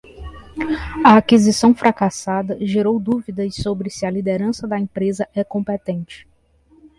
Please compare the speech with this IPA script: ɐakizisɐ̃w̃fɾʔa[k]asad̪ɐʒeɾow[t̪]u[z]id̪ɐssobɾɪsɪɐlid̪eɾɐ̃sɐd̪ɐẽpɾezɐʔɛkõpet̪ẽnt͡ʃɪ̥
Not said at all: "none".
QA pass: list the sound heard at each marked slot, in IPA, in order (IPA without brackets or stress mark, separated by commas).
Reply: k, d̪, v